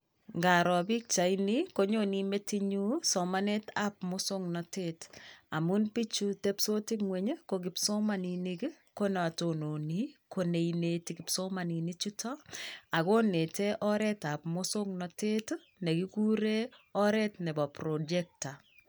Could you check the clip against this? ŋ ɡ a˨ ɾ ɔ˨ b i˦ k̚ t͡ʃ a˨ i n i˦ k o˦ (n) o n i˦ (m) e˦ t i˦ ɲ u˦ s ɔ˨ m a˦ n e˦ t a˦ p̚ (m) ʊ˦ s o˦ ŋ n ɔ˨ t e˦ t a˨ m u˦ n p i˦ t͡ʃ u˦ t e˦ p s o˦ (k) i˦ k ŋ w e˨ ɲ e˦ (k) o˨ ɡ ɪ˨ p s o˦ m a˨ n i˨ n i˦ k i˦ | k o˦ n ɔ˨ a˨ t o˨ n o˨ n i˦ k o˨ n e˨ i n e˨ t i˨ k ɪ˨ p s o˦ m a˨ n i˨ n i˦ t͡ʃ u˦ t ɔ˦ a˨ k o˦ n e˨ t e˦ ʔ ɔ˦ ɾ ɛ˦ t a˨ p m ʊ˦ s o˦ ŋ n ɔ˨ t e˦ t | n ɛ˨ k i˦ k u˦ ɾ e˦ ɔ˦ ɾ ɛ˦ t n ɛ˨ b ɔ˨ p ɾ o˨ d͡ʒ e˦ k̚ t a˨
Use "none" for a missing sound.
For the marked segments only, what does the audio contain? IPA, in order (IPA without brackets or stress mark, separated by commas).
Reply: ɲ, m, m, t, k